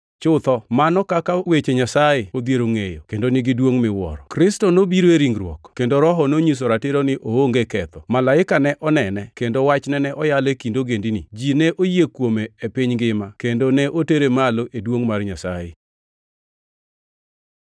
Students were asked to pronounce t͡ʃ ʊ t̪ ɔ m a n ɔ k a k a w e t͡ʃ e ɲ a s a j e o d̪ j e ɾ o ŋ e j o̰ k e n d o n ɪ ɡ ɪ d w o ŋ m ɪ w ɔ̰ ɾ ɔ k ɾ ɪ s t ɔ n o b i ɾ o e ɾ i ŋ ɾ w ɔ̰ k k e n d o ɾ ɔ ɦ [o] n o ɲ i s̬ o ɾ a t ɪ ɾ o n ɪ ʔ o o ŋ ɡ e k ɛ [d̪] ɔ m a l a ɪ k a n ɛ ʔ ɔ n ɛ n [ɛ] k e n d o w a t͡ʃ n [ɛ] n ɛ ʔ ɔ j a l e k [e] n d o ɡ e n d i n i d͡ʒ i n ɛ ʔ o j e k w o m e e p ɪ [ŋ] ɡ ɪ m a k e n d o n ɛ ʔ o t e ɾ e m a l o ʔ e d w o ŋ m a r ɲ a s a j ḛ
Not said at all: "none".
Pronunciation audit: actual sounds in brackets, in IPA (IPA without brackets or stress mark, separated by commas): ɔ, t̪, ɛ, ɛ, i, ɲ